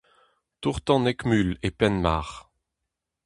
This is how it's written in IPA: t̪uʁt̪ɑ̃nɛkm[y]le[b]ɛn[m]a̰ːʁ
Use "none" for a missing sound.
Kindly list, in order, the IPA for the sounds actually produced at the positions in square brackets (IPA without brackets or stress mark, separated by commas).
y, p, m